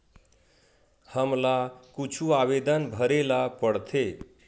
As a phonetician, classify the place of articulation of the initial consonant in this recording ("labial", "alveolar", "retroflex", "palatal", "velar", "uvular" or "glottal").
glottal